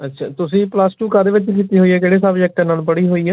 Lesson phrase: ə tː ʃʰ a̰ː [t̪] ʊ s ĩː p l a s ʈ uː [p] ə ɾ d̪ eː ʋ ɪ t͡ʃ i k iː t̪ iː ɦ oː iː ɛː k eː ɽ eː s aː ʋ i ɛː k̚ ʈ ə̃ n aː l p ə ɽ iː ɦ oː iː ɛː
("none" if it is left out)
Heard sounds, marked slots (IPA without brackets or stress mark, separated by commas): t̪, k